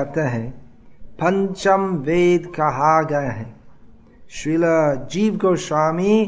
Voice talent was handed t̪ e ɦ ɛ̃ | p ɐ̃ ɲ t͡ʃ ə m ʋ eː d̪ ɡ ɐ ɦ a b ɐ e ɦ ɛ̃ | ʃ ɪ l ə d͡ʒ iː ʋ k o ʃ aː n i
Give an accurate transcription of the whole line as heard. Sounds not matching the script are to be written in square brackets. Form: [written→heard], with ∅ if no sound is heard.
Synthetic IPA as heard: t̪ e ɦ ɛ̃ | p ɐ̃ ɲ t͡ʃ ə m ʋ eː d̪ [ɡ→k] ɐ ɦ a [b→ɡ] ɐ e ɦ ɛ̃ | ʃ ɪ l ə d͡ʒ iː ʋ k o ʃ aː [n→m] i